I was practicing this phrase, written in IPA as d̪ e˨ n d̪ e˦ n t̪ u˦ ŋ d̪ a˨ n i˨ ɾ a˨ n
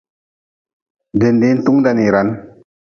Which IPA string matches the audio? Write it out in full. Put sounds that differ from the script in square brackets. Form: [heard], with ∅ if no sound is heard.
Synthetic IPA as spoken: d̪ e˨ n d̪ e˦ n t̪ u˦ ŋ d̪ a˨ n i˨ ɾ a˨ n